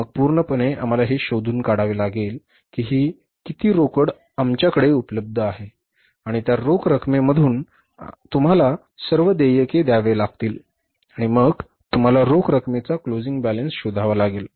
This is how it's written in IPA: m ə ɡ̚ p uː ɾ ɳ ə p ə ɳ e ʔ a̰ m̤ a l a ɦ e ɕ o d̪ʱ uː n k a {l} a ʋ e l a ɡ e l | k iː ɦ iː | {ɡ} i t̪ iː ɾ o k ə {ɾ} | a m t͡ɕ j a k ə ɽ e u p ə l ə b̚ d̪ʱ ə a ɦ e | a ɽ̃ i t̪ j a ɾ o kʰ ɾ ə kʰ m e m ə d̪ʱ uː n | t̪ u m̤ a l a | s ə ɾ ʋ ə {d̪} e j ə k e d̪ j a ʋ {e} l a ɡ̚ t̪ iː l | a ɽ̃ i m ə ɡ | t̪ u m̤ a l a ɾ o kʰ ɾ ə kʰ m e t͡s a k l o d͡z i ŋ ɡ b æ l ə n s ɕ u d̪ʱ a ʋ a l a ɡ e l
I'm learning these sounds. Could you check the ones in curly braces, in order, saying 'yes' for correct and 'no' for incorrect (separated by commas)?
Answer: no, no, no, yes, yes